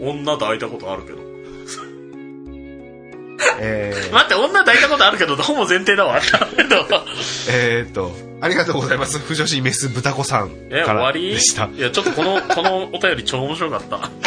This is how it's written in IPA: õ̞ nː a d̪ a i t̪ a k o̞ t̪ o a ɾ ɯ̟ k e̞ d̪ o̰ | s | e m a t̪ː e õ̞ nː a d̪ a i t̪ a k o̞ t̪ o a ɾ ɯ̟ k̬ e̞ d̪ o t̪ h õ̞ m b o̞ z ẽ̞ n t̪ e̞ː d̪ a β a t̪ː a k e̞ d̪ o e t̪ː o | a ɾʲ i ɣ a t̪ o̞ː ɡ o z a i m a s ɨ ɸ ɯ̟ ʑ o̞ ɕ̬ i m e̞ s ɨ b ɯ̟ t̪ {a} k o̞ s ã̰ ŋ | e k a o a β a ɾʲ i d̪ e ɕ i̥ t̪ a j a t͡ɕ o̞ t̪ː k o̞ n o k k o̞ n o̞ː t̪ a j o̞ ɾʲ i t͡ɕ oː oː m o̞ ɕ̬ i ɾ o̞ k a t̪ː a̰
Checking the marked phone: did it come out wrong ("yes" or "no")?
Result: no